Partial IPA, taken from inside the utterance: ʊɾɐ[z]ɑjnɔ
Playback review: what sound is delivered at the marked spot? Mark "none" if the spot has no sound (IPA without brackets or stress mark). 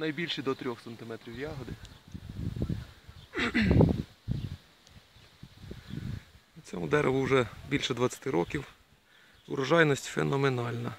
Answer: ʒ